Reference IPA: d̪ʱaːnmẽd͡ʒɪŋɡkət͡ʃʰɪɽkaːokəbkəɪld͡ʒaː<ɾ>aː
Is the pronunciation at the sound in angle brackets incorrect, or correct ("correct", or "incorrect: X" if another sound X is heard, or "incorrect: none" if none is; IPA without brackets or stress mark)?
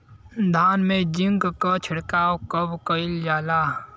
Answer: incorrect: l